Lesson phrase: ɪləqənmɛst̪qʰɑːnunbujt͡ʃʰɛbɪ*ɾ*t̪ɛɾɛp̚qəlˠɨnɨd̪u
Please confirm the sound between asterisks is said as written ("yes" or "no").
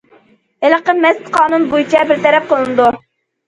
yes